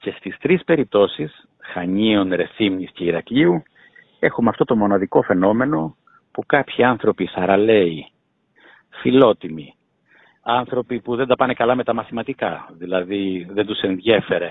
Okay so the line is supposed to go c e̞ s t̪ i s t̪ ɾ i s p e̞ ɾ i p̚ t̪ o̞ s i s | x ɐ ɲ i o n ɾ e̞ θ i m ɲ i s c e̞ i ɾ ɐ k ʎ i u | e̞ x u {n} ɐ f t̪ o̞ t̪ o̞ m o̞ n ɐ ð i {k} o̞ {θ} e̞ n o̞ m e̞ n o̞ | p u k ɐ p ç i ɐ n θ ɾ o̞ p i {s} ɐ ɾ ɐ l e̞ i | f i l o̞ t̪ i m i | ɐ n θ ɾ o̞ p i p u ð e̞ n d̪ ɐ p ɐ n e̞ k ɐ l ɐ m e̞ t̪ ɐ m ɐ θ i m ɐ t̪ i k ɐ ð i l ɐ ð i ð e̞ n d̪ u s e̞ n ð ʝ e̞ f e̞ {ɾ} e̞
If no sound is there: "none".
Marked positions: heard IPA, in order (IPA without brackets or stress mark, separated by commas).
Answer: m, k, f, s, ɾ